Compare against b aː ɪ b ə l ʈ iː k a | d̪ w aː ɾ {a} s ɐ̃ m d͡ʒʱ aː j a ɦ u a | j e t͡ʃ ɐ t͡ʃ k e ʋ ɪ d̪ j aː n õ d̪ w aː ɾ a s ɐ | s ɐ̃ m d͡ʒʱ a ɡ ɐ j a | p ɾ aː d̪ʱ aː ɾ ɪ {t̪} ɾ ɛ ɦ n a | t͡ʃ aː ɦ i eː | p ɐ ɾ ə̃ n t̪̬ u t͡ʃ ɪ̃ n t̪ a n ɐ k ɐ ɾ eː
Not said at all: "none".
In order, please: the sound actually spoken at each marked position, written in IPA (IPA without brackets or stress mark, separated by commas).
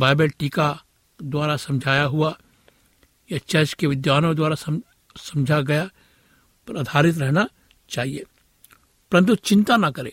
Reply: a, t̪